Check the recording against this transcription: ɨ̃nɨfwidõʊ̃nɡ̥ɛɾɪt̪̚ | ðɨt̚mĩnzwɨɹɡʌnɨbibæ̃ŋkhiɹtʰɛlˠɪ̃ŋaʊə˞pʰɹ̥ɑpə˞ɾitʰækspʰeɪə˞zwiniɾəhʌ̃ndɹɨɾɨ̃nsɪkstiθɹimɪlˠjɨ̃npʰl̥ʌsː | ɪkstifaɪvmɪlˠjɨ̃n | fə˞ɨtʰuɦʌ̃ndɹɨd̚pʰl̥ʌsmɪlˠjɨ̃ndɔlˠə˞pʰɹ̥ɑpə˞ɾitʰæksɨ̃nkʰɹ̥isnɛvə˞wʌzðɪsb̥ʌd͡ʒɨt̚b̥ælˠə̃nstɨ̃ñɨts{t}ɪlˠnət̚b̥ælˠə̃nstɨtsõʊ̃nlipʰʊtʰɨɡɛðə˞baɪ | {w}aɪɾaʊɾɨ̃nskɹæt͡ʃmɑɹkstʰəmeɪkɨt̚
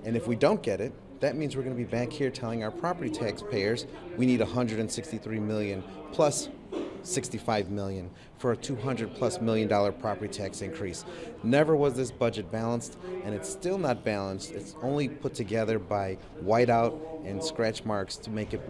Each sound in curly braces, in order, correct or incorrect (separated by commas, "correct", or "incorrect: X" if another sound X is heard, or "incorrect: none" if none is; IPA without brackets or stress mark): correct, correct